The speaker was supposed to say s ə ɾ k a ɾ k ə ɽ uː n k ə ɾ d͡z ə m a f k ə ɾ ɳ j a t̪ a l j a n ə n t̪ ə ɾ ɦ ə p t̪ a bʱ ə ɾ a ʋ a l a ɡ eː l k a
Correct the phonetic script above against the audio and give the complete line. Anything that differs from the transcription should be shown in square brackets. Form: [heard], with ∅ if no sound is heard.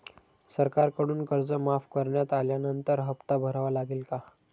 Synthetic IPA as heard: s ə ɾ k a ɾ k ə ɽ uː n k ə ɾ d͡z ə m a f k ə ɾ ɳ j a t̪ a l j a n ə n t̪ ə ɾ ɦ ə p t̪ a bʱ ə ɾ a ʋ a l a ɡ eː l k a